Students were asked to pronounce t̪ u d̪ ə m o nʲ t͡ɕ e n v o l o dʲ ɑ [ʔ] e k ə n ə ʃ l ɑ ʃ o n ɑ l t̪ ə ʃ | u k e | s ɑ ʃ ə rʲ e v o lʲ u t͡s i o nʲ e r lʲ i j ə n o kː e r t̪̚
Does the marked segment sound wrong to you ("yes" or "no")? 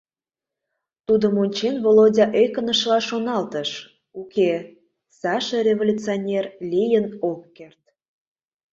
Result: no